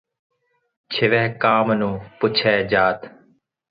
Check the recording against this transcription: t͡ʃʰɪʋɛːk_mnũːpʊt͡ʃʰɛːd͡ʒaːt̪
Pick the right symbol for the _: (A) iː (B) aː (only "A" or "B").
B